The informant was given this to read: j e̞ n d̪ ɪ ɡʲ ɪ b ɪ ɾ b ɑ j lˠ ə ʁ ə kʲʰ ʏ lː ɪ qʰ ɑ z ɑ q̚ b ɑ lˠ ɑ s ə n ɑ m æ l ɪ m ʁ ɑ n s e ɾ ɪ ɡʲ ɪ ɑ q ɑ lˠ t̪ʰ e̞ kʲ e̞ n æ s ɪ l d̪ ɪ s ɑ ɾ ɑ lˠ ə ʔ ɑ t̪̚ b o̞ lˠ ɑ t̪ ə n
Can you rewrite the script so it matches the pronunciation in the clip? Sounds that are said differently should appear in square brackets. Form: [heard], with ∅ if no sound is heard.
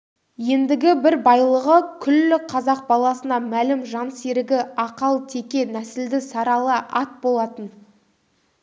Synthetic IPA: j e̞ n d̪ ɪ ɡʲ ɪ b ɪ ɾ b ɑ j lˠ ə ʁ ə kʲʰ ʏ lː ɪ qʰ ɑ z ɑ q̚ b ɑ lˠ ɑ s ə n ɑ m æ l ɪ m [ʒ] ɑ n s e ɾ ɪ ɡʲ ɪ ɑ q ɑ lˠ t̪ʰ e̞ kʲ e̞ n æ s ɪ l d̪ ɪ s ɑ ɾ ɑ lˠ ə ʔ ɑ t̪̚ b o̞ lˠ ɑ t̪ ə n

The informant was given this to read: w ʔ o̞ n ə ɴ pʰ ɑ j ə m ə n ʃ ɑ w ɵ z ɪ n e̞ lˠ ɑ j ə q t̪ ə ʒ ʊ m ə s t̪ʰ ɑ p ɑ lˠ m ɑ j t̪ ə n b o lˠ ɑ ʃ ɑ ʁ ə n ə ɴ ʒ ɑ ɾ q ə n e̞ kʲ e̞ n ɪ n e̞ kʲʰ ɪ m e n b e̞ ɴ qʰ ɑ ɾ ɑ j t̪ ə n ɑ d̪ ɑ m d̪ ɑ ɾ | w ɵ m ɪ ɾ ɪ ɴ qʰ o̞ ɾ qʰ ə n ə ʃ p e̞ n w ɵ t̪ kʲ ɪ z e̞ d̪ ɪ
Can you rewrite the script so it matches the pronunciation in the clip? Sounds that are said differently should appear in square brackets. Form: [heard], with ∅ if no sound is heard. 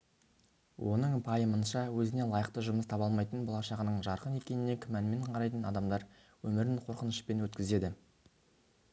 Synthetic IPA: w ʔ o̞ n ə ɴ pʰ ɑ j ə m ə n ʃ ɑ w ɵ z ɪ n e̞ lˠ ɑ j ə q t̪ ə ʒ ʊ m ə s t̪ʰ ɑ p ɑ lˠ m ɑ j t̪ ə n b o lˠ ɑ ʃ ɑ ʁ ə n ə ɴ ʒ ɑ ɾ q ə n e̞ kʲ e̞ n ɪ n e̞ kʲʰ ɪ m [æ] n [m] e̞ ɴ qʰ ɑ ɾ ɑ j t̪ ə n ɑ d̪ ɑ m d̪ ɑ ɾ | w ɵ m ɪ ɾ ɪ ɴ qʰ o̞ ɾ [q] ə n ə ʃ p e̞ n w ɵ t̪ kʲ ɪ z e̞ d̪ ɪ

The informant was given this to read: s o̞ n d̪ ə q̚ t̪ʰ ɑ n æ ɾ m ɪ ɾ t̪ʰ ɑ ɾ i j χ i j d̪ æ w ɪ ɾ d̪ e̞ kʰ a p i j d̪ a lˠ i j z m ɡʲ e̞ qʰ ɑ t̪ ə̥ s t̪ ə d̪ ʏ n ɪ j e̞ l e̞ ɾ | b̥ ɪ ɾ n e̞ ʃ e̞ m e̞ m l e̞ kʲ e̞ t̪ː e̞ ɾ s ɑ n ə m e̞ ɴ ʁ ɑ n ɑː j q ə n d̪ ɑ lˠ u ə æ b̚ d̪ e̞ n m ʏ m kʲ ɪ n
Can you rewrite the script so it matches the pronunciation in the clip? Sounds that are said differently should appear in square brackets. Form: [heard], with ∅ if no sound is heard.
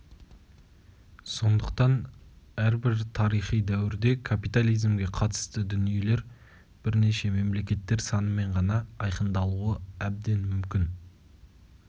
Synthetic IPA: s o̞ n d̪ ə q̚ [t̪] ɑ n æ ɾ [b] ɪ ɾ t̪ʰ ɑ ɾ i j χ i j d̪ æ w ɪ ɾ d̪ e̞ kʰ a p i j [t̪] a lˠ i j z m ɡʲ e̞ qʰ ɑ t̪ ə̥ s t̪ ə d̪ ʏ n [i] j e̞ l e̞ ɾ | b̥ ɪ ɾ n e̞ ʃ e̞ m e̞ m l e̞ kʲ e̞ t̪ː e̞ ɾ s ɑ n ə m e̞ ɴ ʁ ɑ n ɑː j q ə n d̪ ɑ lˠ u ə æ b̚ d̪ e̞ n m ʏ m kʲ ɪ n

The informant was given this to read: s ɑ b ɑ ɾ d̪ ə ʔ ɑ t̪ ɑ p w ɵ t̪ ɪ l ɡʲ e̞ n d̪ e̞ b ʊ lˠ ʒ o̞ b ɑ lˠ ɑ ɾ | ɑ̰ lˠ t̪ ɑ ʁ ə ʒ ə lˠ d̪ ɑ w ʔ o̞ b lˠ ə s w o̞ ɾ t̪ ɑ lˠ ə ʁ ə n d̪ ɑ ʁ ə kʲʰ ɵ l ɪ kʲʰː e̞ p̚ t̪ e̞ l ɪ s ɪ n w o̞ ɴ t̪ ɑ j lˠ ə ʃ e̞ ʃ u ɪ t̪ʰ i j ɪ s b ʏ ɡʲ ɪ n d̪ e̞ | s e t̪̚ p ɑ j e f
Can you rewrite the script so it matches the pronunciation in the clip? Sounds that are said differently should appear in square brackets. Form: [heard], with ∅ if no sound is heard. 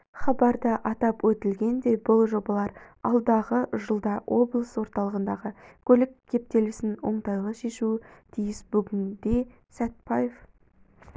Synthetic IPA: [χ] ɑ b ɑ ɾ d̪ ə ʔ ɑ t̪ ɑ p w ɵ t̪ ɪ l ɡʲ e̞ n d̪ e̞ b ʊ lˠ ʒ o̞ b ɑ lˠ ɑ ɾ | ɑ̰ lˠ [d̪] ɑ ʁ ə ʒ ə lˠ d̪ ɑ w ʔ o̞ b lˠ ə s w o̞ ɾ t̪ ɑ lˠ ə ʁ ə n d̪ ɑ ʁ ə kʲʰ ɵ l ɪ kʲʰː e̞ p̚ t̪ e̞ l ɪ s ɪ n w o̞ ɴ t̪ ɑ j lˠ ə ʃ e̞ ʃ u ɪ t̪ʰ i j ɪ s b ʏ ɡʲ ɪ n d̪ e̞ | s [æ] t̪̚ p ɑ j e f

